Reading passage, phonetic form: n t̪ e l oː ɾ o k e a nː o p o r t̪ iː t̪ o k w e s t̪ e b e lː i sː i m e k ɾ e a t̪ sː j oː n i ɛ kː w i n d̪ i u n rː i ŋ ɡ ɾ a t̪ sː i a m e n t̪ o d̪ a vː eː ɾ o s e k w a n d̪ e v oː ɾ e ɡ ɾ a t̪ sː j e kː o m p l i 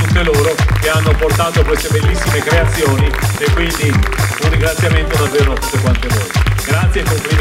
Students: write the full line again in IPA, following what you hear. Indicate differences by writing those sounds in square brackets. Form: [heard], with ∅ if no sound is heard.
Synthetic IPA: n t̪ e l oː ɾ o k e a nː o p o r t̪ [aː] t̪ o k w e s t̪ e b e lː i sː i m e k ɾ e a t̪ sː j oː n i [e] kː w i n d̪ i u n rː i ŋ ɡ ɾ a t̪ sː [j] a m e n t̪ o d̪ a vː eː ɾ o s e k w a n [t̪] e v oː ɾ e ɡ ɾ a t̪ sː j e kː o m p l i